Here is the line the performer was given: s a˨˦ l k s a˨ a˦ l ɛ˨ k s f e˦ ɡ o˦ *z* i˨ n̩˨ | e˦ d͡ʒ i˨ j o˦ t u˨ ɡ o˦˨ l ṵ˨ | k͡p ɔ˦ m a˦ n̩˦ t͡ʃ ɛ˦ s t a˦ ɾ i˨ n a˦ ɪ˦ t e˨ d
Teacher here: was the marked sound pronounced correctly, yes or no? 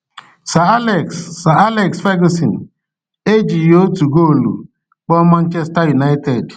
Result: no